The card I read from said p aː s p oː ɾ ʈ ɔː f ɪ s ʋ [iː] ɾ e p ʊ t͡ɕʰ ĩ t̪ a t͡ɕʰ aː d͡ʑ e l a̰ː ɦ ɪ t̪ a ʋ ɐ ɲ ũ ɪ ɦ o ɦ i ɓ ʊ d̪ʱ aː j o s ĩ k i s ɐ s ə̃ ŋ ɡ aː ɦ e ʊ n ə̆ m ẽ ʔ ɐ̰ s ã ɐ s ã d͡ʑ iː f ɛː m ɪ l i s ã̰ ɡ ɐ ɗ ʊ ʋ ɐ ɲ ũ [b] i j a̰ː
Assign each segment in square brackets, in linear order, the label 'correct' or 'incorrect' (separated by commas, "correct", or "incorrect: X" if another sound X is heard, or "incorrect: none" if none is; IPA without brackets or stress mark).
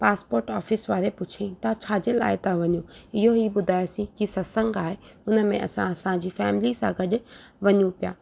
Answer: incorrect: aː, incorrect: p